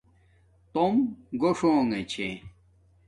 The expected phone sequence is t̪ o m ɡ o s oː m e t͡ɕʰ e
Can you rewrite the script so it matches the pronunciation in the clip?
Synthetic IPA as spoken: t̪ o m ɡ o ʂ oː ŋ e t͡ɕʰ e